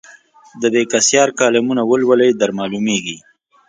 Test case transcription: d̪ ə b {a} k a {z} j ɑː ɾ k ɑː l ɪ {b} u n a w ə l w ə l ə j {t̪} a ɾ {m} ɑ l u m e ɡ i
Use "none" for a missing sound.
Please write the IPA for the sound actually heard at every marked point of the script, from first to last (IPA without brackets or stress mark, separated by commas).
e, s, m, d̪, m